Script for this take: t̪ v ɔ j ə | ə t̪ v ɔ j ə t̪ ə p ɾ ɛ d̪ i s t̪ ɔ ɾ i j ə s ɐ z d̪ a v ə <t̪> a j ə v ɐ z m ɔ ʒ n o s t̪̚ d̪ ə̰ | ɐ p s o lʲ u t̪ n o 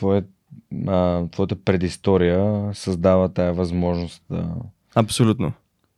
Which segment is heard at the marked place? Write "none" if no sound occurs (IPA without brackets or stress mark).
t̪